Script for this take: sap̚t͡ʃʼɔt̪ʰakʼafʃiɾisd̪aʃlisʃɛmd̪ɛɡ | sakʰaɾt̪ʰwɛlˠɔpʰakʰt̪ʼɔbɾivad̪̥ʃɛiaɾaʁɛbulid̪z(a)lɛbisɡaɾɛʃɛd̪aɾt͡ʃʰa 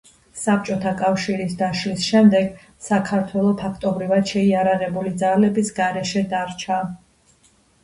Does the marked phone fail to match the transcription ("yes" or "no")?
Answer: no